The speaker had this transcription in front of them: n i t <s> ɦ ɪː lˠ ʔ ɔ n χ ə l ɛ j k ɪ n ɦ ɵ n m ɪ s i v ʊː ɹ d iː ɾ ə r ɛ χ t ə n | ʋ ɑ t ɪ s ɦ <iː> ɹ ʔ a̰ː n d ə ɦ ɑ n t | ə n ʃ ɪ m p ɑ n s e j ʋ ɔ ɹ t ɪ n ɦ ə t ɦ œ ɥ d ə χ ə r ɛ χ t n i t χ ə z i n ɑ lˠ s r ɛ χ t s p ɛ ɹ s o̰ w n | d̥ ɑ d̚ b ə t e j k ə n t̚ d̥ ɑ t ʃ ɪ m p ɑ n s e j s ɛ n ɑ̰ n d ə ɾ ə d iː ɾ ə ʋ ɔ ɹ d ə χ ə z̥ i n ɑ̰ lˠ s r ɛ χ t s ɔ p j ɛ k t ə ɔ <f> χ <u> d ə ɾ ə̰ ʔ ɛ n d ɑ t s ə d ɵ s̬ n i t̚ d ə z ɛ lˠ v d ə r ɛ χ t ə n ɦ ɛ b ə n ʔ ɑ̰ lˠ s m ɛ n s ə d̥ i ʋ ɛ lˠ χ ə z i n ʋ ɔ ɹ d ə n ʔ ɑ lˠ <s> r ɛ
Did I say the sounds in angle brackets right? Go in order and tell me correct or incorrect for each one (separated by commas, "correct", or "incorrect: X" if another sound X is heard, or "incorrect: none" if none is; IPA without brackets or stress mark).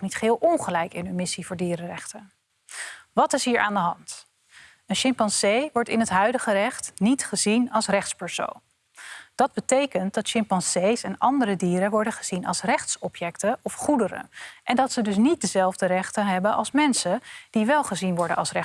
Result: incorrect: χ, correct, correct, correct, correct